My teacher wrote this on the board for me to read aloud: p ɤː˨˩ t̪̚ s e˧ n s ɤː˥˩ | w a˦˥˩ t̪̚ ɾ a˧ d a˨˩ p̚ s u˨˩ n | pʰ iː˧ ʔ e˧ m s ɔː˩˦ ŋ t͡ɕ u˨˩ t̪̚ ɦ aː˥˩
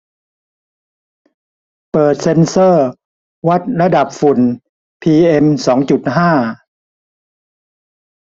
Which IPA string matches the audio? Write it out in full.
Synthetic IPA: p ɤː˨˩ t̪̚ s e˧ n s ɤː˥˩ | w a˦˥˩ t̪̚ ɾ a˧ d a˨˩ p̚ f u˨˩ n | pʰ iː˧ ʔ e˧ m s ɔː˩˦ ŋ t͡ɕ u˨˩ t̪̚ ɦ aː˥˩